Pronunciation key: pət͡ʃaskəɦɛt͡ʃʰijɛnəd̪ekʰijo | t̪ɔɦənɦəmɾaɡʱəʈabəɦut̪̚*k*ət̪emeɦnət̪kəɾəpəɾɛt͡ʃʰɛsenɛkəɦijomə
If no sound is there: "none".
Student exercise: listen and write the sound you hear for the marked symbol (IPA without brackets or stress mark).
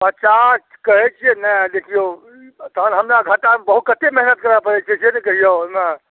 k